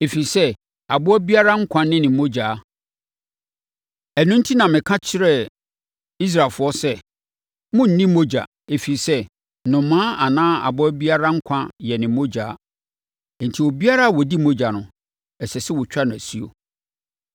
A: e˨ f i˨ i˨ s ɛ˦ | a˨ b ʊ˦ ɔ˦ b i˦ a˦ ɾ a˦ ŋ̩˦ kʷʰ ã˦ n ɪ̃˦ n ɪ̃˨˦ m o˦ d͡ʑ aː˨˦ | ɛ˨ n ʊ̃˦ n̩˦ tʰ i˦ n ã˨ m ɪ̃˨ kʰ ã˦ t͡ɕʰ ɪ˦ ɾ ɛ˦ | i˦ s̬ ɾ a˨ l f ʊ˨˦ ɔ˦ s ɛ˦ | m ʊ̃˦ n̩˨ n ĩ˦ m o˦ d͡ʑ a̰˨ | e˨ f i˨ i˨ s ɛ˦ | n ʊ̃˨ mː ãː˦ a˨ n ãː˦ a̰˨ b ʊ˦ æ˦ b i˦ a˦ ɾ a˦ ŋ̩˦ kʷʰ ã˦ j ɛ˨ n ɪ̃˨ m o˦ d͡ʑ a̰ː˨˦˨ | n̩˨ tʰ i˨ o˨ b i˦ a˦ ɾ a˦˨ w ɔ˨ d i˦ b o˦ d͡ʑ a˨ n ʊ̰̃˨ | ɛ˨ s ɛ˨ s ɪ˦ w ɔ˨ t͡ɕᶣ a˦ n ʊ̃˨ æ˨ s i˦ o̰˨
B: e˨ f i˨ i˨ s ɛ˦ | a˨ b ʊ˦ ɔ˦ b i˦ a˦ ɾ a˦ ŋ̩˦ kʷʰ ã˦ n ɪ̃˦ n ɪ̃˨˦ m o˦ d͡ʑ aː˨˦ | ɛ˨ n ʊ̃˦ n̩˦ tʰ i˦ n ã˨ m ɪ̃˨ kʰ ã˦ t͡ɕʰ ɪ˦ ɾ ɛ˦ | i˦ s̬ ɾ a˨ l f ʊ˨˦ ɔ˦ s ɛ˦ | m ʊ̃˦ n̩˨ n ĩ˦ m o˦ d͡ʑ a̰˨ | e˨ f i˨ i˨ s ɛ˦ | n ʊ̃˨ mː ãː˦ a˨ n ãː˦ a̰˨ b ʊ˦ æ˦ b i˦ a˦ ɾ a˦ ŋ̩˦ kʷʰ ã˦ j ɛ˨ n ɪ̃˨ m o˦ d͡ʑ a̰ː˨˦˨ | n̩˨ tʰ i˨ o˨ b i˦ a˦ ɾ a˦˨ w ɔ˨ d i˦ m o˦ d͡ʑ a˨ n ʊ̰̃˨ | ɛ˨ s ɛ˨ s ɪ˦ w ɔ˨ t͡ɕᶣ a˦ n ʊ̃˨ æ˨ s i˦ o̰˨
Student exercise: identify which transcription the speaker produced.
B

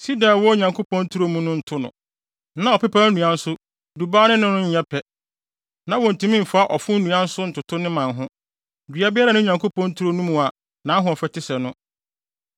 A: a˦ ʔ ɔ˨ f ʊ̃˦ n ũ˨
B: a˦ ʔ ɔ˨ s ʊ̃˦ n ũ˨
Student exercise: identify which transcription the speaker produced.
A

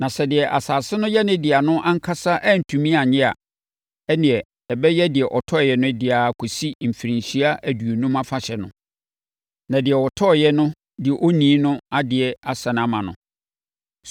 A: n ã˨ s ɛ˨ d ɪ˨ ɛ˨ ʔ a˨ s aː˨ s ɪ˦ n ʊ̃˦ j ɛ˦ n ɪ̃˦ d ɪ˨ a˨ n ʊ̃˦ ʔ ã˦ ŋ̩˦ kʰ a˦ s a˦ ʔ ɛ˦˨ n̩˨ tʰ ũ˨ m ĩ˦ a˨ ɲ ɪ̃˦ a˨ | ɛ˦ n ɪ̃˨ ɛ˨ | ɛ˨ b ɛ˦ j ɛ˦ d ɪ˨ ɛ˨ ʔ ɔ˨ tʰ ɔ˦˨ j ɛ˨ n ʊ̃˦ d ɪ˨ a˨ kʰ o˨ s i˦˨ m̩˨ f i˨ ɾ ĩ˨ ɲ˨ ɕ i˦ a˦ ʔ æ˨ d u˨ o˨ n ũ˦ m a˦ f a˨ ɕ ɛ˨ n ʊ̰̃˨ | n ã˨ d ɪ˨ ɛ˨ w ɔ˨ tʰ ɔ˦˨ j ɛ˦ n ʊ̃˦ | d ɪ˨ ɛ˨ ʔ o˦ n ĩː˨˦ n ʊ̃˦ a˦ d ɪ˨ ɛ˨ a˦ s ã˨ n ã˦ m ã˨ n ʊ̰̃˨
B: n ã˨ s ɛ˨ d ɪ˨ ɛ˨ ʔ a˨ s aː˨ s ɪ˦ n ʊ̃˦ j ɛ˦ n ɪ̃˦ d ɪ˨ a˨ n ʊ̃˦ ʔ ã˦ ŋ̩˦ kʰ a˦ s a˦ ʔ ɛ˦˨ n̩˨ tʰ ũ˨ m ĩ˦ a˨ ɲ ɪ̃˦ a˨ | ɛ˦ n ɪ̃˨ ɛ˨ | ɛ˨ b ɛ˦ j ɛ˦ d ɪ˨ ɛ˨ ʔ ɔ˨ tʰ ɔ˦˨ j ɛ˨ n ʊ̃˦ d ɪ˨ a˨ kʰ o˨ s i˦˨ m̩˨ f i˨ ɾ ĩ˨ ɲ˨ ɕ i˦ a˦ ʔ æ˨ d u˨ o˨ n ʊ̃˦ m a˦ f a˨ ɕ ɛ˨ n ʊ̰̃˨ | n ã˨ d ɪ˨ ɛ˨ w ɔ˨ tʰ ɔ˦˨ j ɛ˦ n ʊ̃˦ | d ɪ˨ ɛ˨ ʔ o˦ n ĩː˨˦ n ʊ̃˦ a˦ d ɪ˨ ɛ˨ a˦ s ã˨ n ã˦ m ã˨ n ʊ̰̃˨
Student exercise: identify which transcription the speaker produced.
A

